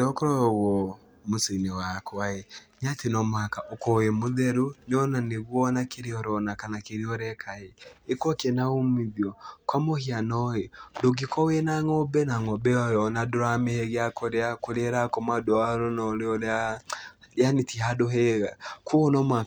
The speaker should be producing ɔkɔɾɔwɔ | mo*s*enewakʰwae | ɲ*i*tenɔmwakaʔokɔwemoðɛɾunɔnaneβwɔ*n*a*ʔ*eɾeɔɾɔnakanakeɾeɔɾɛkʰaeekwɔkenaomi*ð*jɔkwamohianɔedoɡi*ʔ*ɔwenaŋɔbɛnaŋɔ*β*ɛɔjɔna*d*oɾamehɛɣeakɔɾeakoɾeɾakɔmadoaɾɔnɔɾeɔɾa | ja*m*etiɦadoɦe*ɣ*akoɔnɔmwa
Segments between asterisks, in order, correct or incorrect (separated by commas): correct, incorrect, correct, incorrect, correct, incorrect, incorrect, correct, incorrect, correct